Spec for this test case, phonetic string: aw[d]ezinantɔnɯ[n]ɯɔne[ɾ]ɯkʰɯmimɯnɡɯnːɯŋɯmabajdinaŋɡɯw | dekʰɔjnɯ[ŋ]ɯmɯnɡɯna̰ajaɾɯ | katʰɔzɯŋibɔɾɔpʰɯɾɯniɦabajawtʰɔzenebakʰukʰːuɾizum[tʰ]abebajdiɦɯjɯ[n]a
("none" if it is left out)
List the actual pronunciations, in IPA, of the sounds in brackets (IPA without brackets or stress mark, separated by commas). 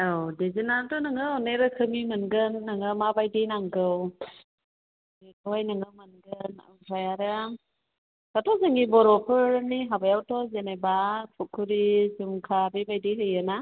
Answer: d, ŋ, ɾ, ŋ, kʰ, n